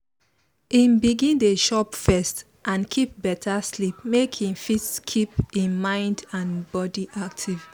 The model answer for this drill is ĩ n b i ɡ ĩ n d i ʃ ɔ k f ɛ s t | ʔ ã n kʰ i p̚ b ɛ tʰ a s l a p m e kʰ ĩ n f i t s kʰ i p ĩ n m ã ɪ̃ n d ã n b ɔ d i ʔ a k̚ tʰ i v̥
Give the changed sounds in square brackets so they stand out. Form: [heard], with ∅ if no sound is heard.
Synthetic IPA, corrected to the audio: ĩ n b i ɡ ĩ n d [e] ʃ ɔ [p] f ɛ s t | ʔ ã n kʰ i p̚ b ɛ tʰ a s l [i] p m e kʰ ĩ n f i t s kʰ i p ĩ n m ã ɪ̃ n d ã n b ɔ d i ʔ a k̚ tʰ i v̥